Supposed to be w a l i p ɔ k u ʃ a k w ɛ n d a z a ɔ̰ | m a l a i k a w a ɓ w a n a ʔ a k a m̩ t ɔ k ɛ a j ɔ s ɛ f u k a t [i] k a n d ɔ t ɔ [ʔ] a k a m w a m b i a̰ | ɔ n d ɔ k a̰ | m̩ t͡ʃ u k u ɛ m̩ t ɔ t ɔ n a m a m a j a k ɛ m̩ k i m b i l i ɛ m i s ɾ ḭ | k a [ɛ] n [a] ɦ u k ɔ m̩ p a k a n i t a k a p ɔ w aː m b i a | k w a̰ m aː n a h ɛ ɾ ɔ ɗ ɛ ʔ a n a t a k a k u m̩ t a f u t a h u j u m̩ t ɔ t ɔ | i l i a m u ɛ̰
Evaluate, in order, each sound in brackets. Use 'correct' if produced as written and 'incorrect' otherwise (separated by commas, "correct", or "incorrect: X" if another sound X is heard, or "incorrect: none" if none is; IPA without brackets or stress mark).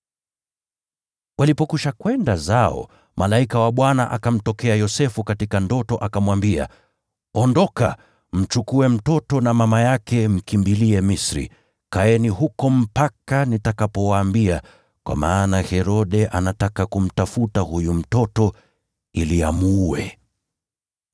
correct, correct, correct, incorrect: i